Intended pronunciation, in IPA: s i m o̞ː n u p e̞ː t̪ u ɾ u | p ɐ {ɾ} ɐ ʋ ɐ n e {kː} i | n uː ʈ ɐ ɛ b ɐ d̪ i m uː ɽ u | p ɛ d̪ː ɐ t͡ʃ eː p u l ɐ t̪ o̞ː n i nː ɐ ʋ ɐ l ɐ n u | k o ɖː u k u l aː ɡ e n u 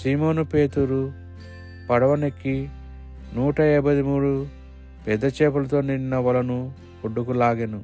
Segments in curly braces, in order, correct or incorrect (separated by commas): incorrect, correct